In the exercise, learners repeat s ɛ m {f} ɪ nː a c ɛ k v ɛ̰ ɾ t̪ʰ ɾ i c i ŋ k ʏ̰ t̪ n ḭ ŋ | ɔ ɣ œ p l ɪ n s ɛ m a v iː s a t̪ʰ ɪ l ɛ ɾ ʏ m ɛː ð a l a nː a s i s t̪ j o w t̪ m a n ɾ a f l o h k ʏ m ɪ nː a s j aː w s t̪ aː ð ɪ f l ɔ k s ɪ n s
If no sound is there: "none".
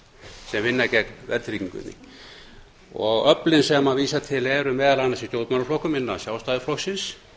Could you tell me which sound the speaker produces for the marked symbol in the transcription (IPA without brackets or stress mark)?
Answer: v